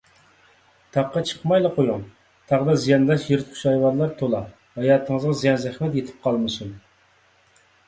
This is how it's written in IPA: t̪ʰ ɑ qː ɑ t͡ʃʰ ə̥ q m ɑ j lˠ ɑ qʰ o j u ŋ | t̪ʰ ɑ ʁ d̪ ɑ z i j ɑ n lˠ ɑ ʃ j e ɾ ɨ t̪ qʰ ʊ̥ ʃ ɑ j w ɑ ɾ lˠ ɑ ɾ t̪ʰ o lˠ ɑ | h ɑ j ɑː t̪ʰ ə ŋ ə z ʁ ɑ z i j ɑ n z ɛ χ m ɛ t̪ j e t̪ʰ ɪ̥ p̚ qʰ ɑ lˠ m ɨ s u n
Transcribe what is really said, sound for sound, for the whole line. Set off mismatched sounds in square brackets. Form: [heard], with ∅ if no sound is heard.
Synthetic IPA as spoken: t̪ʰ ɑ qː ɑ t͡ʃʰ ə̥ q m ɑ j lˠ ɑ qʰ o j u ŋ | t̪ʰ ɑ ʁ d̪ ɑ z i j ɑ n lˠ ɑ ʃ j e ɾ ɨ t̪ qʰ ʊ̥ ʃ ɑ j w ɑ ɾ lˠ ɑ ɾ t̪ʰ o lˠ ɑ | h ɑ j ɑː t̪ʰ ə ŋ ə z ʁ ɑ z i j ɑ n z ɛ χ m ɛ t̪ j e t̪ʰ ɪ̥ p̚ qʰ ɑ lˠ m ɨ s u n